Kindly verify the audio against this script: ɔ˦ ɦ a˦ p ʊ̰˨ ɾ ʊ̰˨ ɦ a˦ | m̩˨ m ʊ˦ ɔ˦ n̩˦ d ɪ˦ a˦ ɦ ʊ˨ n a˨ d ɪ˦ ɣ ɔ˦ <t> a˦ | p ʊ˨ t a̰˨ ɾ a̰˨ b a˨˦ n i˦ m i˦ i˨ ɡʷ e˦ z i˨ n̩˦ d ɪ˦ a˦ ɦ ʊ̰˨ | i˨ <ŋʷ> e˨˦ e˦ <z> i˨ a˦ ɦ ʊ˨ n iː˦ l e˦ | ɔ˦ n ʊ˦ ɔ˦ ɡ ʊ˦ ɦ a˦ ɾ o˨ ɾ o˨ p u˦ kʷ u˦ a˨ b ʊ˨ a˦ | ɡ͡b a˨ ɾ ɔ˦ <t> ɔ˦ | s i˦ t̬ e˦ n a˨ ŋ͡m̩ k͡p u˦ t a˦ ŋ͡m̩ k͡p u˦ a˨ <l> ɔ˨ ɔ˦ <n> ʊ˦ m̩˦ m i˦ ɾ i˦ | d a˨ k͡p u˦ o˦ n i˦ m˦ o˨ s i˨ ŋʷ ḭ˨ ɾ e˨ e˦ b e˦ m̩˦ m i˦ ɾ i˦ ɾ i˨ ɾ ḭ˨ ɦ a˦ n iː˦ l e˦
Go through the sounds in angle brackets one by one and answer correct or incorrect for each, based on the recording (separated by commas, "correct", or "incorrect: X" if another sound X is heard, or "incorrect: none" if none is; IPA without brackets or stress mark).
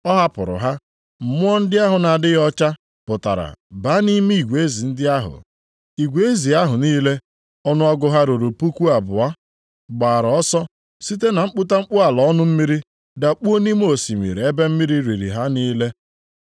incorrect: t͡ʃ, incorrect: ɡʷ, correct, incorrect: s, correct, correct